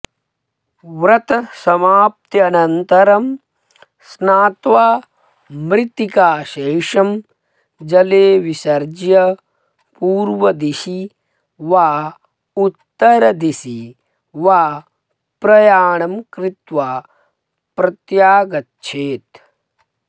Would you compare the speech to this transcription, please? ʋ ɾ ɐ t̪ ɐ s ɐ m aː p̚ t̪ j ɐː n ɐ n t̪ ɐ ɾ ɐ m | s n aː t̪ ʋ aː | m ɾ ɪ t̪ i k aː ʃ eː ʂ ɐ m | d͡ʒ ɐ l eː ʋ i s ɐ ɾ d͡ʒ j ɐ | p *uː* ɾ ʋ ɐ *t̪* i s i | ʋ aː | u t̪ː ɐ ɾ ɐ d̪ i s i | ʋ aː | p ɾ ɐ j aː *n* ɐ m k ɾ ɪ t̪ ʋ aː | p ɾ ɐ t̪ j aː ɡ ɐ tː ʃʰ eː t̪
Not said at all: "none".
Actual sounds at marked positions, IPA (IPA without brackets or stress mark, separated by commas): uː, d̪, ɳ